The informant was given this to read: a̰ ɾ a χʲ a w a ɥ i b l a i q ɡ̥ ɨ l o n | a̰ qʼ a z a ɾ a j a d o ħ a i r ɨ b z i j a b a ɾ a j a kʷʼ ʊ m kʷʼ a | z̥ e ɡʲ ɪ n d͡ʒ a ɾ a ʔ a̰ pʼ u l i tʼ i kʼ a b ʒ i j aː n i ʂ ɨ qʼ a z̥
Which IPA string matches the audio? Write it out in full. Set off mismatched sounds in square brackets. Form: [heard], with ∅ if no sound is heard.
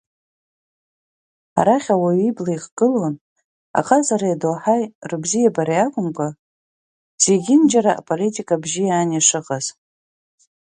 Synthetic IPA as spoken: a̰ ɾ a χʲ a w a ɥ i b l a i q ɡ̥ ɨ l o n | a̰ qʼ a z a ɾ a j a d o ħ a [j] r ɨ b z i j a b a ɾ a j a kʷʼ ʊ m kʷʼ a | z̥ e ɡʲ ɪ n d͡ʒ a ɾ a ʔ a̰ pʼ [o] l i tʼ i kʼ a b ʒ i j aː n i ʂ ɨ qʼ a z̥

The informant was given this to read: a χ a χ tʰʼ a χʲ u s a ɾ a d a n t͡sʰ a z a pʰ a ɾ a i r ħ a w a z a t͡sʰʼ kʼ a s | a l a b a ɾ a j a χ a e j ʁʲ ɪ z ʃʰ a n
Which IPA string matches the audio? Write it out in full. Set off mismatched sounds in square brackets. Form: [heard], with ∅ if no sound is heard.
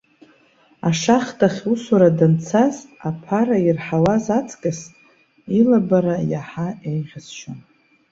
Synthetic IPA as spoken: a [ʂ] a χ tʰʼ a χʲ u s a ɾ a d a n t͡sʰ a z a pʰ a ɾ a i r ħ a w a z a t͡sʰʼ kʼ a s | [i] l a b a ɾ a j a [ħ] a e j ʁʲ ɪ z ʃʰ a n

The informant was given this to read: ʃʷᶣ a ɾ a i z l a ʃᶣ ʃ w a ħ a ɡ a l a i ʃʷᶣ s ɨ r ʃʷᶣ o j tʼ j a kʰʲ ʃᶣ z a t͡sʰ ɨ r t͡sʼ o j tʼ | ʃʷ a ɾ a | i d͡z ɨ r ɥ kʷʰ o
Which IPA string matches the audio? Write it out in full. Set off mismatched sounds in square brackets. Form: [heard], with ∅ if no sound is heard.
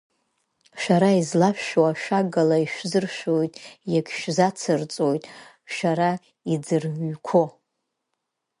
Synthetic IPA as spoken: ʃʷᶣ a ɾ a i z l a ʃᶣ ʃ w a [ʃ] a ɡ a l a i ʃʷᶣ [z] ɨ r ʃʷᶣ o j tʼ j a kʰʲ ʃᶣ z a t͡sʰ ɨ r t͡sʼ o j tʼ | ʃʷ a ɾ a | i d͡z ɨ r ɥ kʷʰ o

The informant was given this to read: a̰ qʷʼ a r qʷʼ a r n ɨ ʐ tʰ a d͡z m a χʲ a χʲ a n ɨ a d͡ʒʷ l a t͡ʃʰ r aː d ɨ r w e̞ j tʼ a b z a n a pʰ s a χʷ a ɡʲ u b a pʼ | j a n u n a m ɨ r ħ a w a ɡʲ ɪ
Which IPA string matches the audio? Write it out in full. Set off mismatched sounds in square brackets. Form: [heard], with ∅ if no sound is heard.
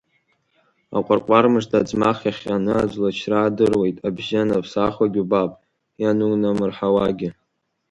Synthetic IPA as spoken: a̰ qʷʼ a r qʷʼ a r [m] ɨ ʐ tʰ a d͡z m a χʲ a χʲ a n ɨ a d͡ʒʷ l a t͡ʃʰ r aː d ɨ r w e̞ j tʼ a b [ʒ] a n a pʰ s a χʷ a ɡʲ u b a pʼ | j a n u n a m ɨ r ħ a w a ɡʲ ɪ

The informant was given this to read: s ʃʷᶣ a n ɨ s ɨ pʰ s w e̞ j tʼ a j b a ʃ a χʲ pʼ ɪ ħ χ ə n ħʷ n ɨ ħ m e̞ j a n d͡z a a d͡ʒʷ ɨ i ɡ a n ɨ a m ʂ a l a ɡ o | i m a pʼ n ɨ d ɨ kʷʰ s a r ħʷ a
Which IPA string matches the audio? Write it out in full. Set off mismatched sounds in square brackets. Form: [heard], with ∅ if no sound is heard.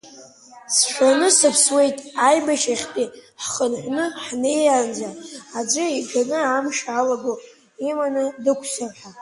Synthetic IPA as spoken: s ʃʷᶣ a n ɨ s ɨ pʰ s w e̞ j tʼ a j b a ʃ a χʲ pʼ [i] ħ χ ə n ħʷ n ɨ ħ [n] e̞ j a n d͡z a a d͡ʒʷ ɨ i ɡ a n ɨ a m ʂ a l a ɡ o | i m a [∅] n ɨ d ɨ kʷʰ s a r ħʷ a

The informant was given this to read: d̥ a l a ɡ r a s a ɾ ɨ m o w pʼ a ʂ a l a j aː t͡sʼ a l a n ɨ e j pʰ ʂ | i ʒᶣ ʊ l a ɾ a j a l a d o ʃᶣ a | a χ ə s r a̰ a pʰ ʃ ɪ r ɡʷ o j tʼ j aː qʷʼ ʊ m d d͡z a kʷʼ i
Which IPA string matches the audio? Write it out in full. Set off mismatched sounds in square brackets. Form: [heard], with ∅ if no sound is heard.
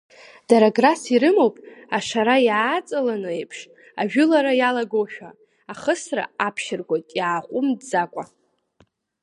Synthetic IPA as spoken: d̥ a [ɾ] a ɡ r a s [i] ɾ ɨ m o w pʼ a ʂ a [ɾ] a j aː t͡sʼ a l a n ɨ e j pʰ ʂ | [a] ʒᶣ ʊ l a ɾ a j a l a [ɡ] o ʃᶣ a | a χ ə s r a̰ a pʰ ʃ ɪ r ɡʷ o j tʼ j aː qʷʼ ʊ m d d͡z a kʷʼ [a]

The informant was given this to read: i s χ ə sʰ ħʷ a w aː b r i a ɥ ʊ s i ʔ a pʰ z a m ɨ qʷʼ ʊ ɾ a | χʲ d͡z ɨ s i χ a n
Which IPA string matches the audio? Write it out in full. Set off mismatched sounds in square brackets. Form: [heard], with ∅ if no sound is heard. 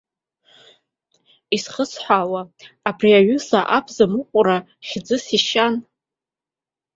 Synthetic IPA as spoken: i s χ ə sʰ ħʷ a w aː b r i a ɥ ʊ s [a] ʔ a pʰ z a m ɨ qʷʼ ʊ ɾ a | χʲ d͡z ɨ s i [ʃ] a n

